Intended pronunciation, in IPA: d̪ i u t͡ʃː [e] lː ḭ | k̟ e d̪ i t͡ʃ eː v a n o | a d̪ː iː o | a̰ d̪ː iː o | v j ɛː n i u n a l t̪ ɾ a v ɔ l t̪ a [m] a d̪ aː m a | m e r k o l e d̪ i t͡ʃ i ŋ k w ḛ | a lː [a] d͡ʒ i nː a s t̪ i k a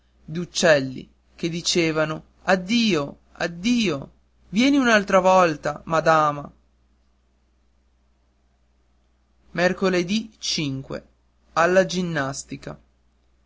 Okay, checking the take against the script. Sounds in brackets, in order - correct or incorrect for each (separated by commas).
incorrect, correct, correct